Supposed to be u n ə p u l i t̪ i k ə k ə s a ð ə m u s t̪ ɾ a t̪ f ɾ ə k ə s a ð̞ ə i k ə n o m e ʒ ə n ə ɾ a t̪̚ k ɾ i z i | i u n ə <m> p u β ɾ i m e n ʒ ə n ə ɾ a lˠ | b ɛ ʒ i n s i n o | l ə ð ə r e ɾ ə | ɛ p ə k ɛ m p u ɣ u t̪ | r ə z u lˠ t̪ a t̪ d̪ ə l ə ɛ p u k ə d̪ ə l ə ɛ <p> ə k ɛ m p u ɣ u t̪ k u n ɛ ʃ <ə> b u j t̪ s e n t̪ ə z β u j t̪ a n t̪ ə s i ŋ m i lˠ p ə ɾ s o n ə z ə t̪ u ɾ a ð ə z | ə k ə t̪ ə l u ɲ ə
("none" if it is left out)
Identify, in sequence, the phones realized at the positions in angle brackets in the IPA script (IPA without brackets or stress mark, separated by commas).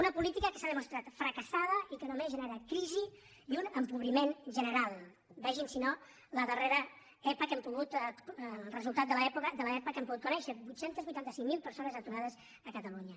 m, p, ə